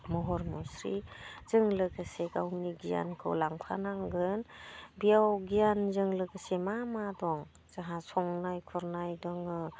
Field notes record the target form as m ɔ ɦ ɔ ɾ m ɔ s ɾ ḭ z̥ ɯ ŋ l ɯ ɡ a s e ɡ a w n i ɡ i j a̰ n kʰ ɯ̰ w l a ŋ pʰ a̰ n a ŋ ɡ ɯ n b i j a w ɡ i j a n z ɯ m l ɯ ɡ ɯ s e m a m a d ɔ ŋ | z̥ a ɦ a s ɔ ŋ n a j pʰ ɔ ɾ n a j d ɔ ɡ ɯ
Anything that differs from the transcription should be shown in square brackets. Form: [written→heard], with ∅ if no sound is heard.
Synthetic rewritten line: m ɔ ɦ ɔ ɾ m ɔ s ɾ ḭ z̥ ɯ ŋ l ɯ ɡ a s e ɡ a w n i ɡ i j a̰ n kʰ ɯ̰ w l a ŋ pʰ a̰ n a ŋ ɡ ɯ n b i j a w ɡ i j a n z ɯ [m→ŋ] l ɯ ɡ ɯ s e m a m a d ɔ ŋ | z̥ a ɦ a s ɔ ŋ n a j [pʰ→kʰ] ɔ ɾ n a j d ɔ [ɡ→ŋ] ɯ

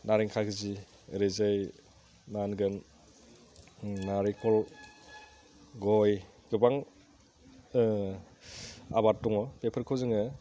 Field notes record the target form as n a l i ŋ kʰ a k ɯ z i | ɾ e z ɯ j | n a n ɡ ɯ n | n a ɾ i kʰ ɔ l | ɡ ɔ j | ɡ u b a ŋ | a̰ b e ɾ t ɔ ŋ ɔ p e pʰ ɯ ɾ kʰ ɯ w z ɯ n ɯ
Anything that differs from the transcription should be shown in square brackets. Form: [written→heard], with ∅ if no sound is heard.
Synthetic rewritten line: n a [l→ɾ] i ŋ kʰ a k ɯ z i | ɾ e z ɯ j | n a n ɡ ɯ n | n a ɾ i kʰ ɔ l | ɡ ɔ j | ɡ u b a ŋ | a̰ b [e→a] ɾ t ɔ ŋ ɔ p e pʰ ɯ ɾ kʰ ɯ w z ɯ [n→ŋ] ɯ

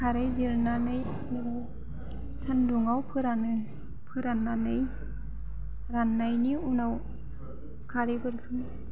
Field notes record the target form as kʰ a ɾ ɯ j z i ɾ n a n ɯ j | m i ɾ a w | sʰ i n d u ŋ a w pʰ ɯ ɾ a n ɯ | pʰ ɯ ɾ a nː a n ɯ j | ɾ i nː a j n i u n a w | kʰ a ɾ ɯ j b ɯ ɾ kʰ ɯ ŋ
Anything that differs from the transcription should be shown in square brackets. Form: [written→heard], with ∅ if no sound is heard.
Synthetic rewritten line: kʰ a ɾ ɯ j z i ɾ n a n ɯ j | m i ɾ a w | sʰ [i→a] n d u ŋ a w pʰ ɯ ɾ a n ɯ | pʰ ɯ ɾ a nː a n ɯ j | ɾ [i→a] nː a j n i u n a w | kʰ a ɾ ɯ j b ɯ ɾ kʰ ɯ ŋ

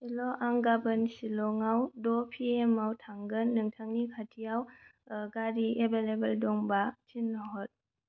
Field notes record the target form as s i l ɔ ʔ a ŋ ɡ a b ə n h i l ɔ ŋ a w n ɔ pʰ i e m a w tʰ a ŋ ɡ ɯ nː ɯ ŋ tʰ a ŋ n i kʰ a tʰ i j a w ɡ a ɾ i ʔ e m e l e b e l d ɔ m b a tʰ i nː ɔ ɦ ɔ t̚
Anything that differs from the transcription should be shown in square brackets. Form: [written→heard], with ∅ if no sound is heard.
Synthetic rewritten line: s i l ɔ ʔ a ŋ ɡ a b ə n [h→s] i l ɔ ŋ a w [n→d] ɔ pʰ i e m a w tʰ a ŋ ɡ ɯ nː ɯ ŋ tʰ a ŋ n i kʰ a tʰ i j a w ɡ a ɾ i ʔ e [m→b] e l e b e l d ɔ [m→ŋ] b a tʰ i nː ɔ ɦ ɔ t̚

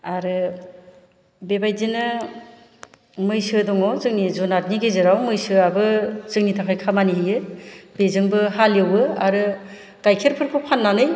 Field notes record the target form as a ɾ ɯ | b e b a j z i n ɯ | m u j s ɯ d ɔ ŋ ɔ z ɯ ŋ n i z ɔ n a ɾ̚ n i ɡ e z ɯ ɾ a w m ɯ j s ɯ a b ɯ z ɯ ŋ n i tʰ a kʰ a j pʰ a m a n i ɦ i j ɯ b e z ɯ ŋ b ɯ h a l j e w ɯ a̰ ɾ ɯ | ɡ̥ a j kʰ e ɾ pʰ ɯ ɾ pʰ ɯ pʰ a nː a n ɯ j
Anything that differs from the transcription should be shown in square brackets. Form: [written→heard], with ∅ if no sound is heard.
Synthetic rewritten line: a ɾ ɯ | b e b a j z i n ɯ | m [u→ɯ] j s ɯ d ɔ ŋ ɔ z ɯ ŋ n i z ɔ n a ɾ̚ n i ɡ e z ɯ ɾ a w m ɯ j s ɯ a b ɯ z ɯ ŋ n i tʰ a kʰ a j [pʰ→kʰ] a m a n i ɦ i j ɯ b e z ɯ ŋ b ɯ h a l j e w ɯ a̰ ɾ ɯ | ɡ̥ a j kʰ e ɾ pʰ ɯ ɾ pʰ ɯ pʰ a nː a n ɯ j

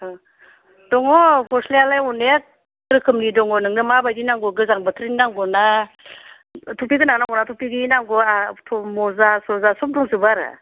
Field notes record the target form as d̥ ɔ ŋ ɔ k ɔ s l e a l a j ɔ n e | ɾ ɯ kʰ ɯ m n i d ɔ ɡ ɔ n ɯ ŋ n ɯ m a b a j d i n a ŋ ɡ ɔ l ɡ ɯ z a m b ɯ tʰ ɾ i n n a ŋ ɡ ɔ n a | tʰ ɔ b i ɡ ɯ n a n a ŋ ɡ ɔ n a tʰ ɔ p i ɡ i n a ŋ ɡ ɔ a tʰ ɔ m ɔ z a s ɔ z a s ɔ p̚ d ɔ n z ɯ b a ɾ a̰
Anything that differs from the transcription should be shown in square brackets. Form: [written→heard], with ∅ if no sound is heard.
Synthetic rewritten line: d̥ ɔ ŋ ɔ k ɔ s l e a l a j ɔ n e | ɾ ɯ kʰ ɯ m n i d ɔ [ɡ→ŋ] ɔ n ɯ ŋ n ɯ m a b a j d i n a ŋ ɡ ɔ [l→∅] ɡ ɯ z a [m→ŋ] b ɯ tʰ ɾ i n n a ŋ ɡ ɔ n a | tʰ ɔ [b→p] i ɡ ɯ n a n a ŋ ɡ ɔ n a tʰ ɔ p i ɡ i n a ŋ ɡ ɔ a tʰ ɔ m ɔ z a s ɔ z a s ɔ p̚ d ɔ [n→ŋ] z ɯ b a ɾ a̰

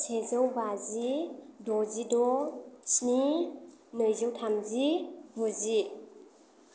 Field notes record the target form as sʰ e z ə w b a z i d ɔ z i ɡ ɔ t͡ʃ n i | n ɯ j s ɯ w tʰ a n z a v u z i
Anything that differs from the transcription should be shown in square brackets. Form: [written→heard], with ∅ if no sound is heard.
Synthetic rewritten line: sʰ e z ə w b a z i d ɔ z i [ɡ→d] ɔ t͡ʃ n i | n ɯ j [s→z] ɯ w tʰ a [n→m] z [a→i] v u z i

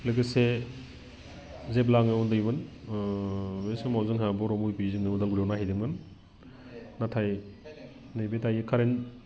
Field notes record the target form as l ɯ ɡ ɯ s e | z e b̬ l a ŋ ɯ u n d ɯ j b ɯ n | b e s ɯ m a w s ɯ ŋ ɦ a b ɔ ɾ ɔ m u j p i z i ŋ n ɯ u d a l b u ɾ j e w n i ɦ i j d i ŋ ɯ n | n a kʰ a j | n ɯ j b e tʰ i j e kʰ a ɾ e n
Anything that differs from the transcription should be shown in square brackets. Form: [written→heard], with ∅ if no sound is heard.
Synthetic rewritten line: l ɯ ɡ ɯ s e | z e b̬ l a ŋ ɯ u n d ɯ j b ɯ n | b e s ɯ m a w [s→z] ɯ ŋ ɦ a b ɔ ɾ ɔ m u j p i z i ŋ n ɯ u d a l [b→ɡ] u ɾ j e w n [i→a] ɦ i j d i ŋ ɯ n | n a [kʰ→tʰ] a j | n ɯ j b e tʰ [i→a] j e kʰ a ɾ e n

